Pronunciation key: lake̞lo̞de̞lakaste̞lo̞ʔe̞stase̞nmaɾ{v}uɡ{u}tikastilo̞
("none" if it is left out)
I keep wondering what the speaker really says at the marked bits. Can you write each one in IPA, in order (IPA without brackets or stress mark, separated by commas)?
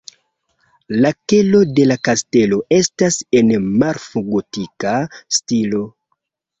f, o